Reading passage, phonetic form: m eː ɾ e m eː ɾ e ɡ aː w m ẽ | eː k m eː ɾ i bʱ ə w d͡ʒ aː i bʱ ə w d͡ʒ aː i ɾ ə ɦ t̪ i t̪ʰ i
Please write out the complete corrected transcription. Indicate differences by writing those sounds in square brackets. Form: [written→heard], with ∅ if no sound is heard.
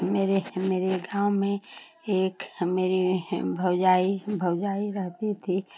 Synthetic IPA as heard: m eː ɾ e m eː ɾ e ɡ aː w m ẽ | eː k m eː ɾ i bʱ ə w d͡ʒ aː i bʱ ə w d͡ʒ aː i ɾ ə ɦ t̪ i t̪ʰ i